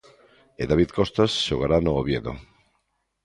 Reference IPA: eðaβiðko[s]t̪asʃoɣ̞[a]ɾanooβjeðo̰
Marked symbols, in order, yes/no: yes, yes

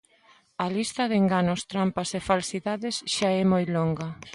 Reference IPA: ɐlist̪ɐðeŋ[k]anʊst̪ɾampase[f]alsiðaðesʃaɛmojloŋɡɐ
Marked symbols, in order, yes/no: no, yes

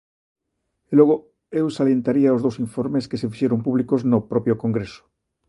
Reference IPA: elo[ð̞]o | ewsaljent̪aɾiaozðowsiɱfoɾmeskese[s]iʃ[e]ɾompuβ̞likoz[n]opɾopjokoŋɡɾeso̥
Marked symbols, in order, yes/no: no, no, yes, yes

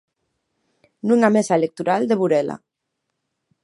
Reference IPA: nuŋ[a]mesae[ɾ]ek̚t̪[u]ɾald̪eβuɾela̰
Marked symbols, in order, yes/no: yes, no, yes

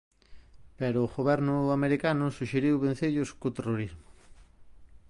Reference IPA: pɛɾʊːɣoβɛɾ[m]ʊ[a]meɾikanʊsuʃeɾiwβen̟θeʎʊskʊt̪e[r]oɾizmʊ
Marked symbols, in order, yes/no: no, yes, yes

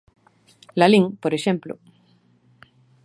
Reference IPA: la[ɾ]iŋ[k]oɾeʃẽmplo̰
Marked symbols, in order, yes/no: no, no

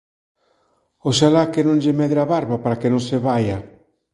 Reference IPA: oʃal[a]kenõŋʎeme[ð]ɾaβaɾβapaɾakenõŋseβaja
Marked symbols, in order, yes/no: yes, yes

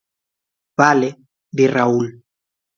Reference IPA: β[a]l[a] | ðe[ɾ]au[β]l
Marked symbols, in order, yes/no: yes, no, no, no

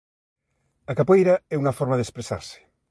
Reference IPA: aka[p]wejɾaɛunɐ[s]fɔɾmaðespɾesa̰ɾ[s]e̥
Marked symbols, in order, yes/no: yes, no, yes

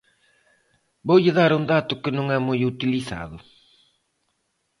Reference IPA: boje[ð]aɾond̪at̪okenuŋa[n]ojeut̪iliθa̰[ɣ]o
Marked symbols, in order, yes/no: yes, no, no

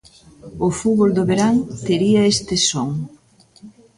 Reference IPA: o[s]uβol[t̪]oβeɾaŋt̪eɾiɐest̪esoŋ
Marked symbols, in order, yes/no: no, no

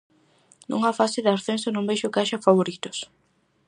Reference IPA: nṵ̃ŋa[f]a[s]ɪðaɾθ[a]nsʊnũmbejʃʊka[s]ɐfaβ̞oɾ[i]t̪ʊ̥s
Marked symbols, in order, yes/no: yes, yes, no, no, yes

